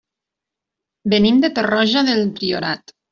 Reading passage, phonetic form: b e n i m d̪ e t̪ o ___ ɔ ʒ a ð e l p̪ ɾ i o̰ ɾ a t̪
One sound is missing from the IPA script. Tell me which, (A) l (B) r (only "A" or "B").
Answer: B